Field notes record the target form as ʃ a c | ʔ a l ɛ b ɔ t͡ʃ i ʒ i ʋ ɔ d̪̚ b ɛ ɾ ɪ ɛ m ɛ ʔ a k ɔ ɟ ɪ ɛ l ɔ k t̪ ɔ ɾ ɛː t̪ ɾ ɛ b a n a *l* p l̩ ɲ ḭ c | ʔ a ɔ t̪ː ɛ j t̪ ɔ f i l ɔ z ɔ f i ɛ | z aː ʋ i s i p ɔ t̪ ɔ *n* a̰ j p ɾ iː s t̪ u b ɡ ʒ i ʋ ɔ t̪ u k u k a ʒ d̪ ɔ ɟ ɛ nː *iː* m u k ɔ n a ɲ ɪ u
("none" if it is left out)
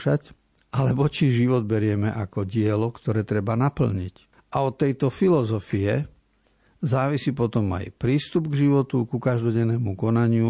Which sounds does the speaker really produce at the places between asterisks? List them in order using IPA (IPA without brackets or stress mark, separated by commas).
none, m, ɛː